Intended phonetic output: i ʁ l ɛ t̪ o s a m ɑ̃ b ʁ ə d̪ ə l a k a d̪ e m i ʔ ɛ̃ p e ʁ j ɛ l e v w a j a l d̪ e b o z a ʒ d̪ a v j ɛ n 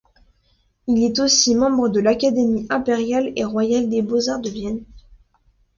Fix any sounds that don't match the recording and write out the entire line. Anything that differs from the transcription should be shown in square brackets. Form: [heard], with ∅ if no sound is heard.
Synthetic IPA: i [∅] l ɛ t̪ o s [i] m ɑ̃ b ʁ ə d̪ ə l a k a d̪ e m i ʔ ɛ̃ p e ʁ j [a] l e [ʁ] w a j a l d̪ e b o z a [ʁ] d̪ [ə] v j ɛ n